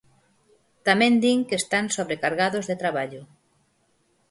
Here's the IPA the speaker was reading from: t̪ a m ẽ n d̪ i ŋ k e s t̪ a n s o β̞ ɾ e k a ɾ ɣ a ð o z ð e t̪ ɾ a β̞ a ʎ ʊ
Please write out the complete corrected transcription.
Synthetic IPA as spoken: t̪ a m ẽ n d̪ i ŋ k e s t̪ a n s o β̞ ɾ e k a ɾ ɣ a ð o z ð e t̪ ɾ a β̞ a ʎ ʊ

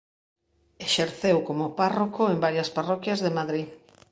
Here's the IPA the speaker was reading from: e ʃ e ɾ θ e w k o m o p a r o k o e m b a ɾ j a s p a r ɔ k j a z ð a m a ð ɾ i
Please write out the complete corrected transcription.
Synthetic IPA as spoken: e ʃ e ɾ θ e w k o m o p a r o k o e m b a ɾ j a s p a r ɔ k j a z ð e m a ð ɾ i

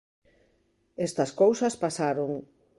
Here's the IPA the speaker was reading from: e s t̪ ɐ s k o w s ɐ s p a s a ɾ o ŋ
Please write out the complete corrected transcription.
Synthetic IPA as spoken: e s t̪ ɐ s k o w s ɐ s p a s a ɾ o ŋ

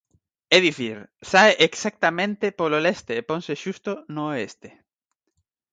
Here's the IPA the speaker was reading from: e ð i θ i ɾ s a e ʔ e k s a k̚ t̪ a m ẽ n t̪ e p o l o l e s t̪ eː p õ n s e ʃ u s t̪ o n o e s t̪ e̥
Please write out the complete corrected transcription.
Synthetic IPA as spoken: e ð i θ i ɾ s a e ʔ e k s a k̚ t̪ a m ẽ n t̪ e p o l o l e s t̪ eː p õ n s e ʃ u s t̪ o n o e s t̪ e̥

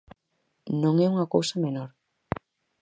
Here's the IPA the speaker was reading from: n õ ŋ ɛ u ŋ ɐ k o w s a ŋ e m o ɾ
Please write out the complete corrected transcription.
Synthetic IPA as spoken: n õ ŋ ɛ u ŋ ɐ k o w s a m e n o ɾ

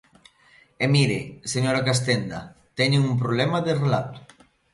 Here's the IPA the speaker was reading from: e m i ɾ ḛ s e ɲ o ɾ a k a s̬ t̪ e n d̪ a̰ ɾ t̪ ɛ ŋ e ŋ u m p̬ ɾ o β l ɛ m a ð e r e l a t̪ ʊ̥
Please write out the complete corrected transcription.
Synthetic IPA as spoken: e m i ɾ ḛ s e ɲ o ɾ a k a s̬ t̪ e n d̪ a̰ t̪ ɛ ɲ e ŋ u m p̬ ɾ o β l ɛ m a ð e r e l a t̪ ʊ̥

